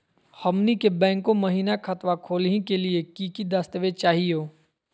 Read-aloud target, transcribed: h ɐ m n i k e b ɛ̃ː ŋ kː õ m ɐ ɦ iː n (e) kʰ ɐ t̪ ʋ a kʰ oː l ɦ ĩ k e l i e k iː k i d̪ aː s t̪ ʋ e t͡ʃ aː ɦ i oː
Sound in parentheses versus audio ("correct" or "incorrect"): incorrect